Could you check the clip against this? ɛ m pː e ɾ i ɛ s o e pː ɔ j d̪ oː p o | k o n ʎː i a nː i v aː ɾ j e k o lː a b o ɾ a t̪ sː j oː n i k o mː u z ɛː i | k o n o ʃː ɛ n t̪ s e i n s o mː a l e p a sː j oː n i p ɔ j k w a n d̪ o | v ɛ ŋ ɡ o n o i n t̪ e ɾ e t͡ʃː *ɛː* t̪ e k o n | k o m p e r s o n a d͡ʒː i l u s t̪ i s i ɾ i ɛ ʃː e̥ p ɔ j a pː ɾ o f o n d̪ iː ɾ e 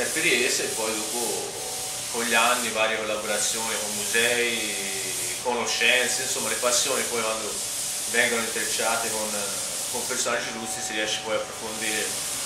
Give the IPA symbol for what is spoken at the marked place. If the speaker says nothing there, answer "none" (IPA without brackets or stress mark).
aː